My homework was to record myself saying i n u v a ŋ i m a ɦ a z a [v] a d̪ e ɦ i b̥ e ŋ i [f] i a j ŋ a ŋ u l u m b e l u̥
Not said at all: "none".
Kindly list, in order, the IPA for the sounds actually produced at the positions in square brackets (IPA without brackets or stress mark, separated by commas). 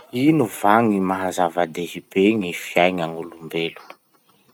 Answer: v, f